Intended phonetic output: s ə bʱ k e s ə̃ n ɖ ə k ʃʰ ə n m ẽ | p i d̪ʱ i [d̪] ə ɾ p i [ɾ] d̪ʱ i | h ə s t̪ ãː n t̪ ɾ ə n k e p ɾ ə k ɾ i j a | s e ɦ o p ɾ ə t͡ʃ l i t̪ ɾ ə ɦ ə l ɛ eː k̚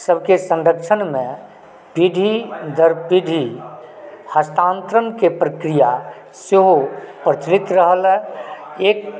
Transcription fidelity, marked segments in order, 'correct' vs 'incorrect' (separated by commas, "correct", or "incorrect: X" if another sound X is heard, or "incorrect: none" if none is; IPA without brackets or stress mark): correct, incorrect: none